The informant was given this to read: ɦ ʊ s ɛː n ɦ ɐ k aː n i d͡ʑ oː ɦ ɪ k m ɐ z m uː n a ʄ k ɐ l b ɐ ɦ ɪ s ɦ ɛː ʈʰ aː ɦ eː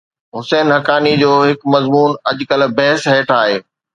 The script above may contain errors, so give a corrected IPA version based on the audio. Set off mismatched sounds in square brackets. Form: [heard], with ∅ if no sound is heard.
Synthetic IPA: ɦ ʊ s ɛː n ɦ ɐ k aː n i d͡ʑ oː ɦ ɪ k m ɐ z m uː n [ɐ] ʄ k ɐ l b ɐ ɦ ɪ s ɦ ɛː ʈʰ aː ɦ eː